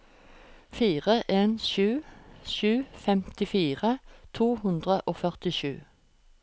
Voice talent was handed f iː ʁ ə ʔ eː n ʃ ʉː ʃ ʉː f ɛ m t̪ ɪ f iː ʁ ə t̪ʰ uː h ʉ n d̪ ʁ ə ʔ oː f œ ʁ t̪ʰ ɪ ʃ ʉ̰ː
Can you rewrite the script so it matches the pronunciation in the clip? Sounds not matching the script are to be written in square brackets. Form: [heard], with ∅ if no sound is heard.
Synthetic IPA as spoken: f iː ʁ ə ʔ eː n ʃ ʉː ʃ ʉː f ɛ m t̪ ɪ f iː ʁ ə t̪ʰ uː h ʉ n d̪ ʁ ə ʔ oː f œ ʁ [t̪] ɪ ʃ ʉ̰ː